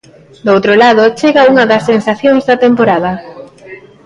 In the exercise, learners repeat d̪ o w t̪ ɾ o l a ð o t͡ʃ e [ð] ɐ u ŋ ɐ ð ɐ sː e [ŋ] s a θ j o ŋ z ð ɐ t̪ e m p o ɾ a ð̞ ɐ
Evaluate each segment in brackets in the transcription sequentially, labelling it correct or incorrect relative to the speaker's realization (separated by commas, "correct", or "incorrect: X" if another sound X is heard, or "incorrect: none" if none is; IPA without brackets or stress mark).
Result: incorrect: ɣ, incorrect: n